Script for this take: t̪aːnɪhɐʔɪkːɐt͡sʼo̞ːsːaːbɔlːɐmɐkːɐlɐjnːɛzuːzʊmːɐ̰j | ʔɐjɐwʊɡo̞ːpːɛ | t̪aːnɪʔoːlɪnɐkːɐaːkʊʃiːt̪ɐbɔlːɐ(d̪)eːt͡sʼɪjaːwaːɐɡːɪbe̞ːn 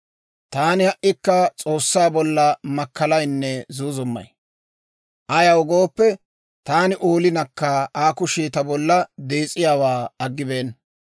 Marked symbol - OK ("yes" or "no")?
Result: yes